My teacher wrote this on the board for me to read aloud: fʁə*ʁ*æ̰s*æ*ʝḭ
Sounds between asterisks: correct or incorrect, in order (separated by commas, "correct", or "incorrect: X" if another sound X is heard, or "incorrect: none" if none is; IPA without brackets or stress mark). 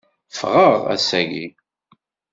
correct, correct